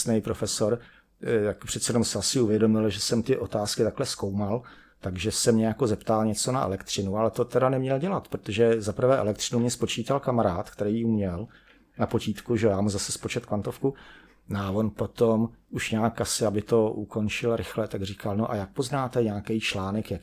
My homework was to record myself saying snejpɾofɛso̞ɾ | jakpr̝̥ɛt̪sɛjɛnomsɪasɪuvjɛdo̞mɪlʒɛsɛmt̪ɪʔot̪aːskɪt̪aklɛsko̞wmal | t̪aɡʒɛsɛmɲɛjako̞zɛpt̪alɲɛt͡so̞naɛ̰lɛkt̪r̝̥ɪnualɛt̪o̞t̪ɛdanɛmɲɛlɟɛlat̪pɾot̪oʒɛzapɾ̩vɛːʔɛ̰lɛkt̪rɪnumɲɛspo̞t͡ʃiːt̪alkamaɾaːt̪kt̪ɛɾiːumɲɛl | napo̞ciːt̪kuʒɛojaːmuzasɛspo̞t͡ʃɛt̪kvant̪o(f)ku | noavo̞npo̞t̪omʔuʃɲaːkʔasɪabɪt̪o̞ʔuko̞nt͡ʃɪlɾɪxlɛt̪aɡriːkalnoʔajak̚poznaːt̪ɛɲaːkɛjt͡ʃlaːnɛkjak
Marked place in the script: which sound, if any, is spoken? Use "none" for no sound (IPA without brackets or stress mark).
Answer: f